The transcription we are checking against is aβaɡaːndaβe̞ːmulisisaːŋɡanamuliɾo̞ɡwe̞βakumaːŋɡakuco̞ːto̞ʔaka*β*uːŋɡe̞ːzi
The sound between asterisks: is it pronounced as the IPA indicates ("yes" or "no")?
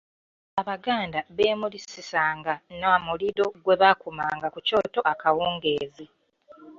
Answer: no